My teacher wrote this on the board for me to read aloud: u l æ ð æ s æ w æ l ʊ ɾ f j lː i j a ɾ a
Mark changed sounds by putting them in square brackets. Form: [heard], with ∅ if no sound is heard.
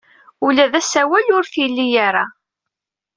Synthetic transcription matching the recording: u l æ ð æ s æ w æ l ʊ ɾ [θ] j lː i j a ɾ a